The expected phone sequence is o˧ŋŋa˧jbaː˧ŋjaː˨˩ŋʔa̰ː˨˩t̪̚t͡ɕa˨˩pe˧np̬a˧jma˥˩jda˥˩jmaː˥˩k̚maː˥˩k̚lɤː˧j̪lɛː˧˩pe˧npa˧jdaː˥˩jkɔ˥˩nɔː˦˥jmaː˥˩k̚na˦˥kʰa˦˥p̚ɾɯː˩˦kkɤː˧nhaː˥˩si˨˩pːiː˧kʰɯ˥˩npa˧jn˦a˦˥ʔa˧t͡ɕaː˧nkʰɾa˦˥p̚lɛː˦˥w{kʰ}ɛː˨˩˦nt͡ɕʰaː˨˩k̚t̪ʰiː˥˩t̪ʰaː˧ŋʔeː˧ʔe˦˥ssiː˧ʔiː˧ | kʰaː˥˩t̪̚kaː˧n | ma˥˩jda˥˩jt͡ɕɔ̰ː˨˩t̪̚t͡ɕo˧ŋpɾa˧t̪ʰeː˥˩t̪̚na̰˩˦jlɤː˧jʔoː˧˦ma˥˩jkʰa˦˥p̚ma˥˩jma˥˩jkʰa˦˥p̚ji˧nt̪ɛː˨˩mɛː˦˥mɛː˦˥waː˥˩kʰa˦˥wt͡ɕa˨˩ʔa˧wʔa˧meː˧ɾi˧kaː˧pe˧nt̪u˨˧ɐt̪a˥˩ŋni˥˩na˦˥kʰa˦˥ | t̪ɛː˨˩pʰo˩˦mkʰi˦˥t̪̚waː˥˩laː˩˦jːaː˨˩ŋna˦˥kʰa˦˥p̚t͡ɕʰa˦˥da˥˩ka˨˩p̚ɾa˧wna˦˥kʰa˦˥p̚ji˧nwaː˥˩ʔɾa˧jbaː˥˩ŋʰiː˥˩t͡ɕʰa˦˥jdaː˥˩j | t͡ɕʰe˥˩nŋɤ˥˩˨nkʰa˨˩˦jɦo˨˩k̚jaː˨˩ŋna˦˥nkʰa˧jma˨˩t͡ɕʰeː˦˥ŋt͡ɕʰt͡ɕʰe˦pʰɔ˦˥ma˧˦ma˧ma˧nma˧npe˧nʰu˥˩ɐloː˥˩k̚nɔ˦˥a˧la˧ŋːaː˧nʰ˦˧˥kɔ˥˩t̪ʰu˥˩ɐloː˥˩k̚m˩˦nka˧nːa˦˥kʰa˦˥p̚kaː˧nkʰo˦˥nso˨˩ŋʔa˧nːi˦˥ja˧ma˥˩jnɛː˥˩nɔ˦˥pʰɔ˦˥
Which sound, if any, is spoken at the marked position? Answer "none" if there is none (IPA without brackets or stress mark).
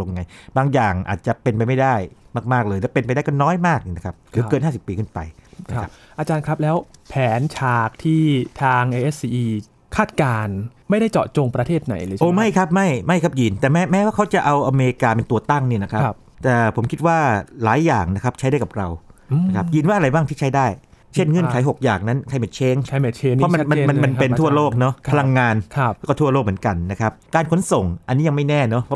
pʰ